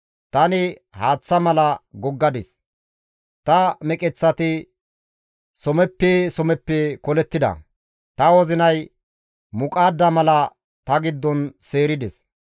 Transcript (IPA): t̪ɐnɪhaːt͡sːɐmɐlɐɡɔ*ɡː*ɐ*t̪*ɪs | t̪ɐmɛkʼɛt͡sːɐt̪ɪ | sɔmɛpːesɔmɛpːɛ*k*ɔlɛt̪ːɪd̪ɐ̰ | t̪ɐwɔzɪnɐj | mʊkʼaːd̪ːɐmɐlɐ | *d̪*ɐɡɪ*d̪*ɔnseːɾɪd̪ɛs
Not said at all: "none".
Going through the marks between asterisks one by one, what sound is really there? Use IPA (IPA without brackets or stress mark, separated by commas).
ɡː, d̪, k, t̪, d̪ː